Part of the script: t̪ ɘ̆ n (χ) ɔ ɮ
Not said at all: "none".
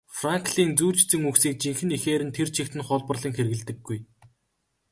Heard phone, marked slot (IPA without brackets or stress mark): χ